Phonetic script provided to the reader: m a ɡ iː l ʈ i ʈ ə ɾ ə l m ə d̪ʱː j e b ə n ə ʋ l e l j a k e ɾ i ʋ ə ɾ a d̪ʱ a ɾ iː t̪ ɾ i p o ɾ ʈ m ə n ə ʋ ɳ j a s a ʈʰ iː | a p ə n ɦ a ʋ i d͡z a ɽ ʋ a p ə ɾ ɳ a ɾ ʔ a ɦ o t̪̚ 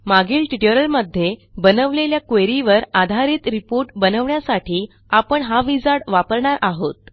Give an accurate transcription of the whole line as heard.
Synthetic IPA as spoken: m a ɡ iː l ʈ i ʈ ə ɾ ə l m ə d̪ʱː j e b ə n ə ʋ l e l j a k e ɾ i ʋ ə ɾ a d̪ʱ a ɾ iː t̪ ɾ i p o ɾ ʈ b ə n ə ʋ ɳ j a s a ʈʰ iː | a p ə ɳ ɦ a ʋ i d͡z a ɽ ʋ a p ə ɾ ɳ a ɾ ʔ a ɦ o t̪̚